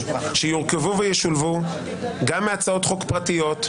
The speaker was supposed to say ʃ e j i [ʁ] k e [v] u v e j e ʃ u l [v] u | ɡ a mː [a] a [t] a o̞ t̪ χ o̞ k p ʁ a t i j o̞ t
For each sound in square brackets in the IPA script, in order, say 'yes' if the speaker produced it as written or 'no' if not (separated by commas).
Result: yes, yes, yes, no, no